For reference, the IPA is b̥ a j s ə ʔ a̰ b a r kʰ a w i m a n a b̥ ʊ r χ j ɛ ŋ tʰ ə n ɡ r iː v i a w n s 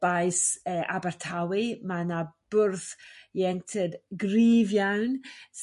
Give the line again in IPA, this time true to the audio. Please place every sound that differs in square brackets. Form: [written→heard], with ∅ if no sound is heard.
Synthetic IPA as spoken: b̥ a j s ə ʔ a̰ b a r [kʰ→tʰ] a w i m a n a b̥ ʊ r [χ→θ] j ɛ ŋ tʰ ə [n→d] ɡ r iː v [i→j] a w n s